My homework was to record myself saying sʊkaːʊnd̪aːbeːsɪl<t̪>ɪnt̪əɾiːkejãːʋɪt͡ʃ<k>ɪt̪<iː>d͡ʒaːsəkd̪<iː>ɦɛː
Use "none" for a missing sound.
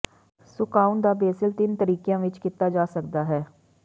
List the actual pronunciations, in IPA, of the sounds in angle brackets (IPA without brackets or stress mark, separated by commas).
t̪, k, aː, aː